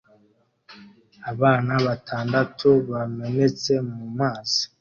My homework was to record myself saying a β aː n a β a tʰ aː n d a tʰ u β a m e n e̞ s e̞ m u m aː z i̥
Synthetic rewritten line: a β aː n a β a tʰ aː n d a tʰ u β a m e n e̞ t͡s e̞ m u m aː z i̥